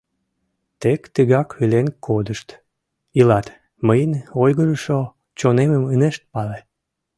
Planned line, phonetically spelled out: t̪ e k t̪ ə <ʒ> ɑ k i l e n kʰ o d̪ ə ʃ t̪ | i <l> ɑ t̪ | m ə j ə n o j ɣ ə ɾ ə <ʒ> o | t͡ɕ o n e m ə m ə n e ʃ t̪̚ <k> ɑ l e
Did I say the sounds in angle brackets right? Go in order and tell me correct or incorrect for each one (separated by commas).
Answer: incorrect, correct, incorrect, incorrect